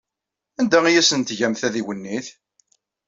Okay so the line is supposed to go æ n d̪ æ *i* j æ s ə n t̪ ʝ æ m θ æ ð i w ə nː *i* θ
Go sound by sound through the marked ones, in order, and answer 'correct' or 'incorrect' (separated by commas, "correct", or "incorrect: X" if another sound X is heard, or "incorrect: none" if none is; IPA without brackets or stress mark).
correct, correct